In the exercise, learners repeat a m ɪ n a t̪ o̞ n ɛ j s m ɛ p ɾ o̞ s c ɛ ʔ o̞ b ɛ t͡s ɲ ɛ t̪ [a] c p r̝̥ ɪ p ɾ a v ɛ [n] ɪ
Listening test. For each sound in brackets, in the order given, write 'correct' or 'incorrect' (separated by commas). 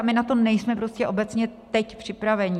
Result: incorrect, incorrect